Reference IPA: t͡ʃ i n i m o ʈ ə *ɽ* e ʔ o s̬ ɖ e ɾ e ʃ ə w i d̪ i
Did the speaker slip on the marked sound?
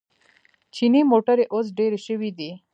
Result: yes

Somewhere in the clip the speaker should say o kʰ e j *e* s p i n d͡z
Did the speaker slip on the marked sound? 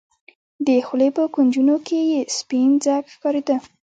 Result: no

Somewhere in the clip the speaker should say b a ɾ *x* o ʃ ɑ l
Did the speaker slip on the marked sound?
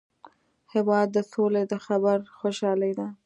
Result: no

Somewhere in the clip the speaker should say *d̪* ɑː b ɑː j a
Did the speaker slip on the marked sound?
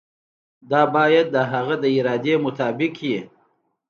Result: no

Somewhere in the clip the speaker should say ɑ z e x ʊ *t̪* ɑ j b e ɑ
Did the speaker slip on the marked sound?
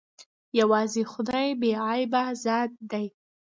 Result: yes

